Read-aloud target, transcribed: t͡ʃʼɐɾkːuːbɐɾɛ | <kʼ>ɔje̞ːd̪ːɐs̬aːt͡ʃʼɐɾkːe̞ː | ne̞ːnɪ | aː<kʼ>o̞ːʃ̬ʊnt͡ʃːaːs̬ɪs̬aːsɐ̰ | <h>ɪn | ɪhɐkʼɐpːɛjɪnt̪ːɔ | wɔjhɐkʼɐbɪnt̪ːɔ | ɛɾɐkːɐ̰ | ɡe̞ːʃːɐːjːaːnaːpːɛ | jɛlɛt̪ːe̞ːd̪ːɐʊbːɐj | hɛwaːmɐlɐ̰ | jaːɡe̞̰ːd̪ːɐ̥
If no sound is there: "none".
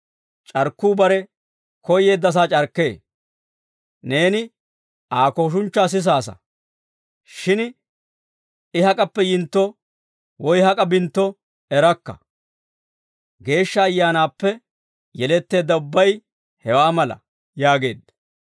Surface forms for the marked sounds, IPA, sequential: k, k, ʃ

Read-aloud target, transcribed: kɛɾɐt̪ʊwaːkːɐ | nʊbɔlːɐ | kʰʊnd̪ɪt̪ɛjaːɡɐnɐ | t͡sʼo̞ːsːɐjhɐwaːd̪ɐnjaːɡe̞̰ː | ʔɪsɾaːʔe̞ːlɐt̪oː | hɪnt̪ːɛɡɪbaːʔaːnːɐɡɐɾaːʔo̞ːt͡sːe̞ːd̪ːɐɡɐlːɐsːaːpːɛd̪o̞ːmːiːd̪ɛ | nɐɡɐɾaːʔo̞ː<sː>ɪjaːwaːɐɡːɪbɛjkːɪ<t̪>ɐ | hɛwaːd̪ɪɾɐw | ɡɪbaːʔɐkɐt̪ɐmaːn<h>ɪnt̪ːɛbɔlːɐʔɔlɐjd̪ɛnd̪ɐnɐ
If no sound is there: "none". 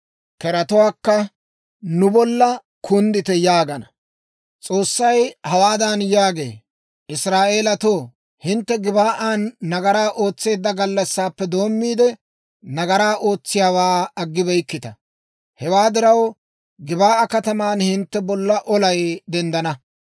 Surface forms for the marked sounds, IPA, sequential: t͡sː, t̪, h

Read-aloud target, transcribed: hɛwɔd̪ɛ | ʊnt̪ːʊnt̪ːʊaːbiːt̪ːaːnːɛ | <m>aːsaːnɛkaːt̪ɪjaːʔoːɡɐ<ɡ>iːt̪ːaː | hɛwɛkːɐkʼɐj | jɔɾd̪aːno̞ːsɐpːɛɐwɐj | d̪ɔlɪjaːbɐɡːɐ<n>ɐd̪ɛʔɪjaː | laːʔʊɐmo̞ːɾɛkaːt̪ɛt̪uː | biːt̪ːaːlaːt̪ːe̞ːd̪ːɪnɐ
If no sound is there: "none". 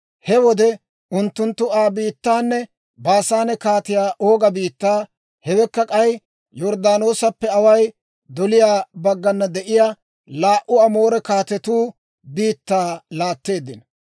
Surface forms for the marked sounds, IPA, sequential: b, b, nː

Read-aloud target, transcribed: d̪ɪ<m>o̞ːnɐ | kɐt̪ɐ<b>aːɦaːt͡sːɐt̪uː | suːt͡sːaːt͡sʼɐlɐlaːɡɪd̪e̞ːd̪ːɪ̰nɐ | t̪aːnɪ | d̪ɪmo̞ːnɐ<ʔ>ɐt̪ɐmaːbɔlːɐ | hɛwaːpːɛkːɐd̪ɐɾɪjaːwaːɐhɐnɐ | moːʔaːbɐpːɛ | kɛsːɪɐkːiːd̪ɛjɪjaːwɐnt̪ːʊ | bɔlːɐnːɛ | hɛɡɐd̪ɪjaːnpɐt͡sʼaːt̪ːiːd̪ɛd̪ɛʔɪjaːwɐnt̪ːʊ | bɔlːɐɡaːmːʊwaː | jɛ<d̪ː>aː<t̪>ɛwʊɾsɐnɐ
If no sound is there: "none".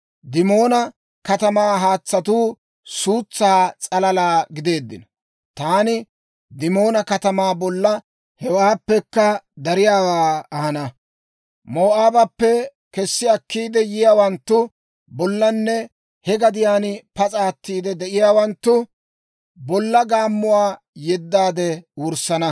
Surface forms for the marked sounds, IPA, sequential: m, m, k, d̪ː, d̪

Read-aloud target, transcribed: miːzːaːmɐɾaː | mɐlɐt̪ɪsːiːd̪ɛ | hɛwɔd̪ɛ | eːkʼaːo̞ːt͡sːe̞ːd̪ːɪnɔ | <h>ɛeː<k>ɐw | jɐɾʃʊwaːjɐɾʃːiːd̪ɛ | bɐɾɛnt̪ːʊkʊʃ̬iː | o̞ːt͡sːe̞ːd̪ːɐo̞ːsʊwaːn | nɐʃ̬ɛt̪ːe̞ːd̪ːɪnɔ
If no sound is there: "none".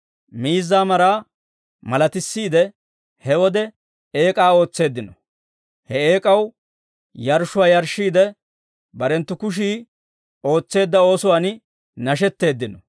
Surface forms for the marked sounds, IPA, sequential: h, kʼ

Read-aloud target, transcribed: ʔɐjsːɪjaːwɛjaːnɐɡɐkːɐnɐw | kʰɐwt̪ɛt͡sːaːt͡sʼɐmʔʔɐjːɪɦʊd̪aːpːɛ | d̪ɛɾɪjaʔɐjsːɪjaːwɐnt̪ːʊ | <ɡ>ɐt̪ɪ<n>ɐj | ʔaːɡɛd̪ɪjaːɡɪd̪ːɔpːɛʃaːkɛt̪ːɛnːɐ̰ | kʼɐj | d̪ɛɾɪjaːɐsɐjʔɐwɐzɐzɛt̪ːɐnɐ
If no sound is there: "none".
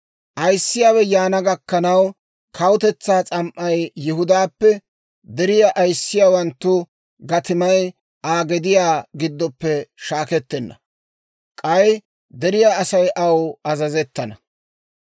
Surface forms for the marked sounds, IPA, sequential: ɡ, m

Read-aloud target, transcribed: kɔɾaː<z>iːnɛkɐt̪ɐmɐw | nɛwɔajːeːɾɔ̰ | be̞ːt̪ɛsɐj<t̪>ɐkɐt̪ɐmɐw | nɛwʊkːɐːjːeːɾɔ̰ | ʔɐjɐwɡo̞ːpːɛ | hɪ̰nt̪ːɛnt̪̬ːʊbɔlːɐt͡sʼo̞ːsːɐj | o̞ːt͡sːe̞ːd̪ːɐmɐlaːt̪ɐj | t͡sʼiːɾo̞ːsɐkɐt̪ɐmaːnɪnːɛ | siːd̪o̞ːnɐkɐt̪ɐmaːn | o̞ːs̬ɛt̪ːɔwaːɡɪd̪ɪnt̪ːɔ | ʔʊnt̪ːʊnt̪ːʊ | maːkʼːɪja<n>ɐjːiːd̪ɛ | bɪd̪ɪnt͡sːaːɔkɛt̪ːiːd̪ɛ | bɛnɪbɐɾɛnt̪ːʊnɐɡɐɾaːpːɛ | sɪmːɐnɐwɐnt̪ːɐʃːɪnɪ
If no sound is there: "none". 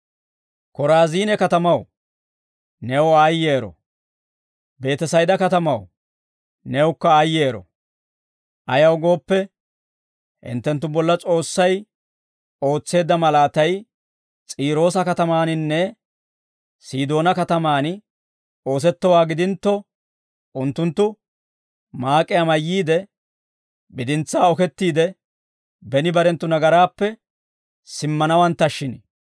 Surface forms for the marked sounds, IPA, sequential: z, d̪, m

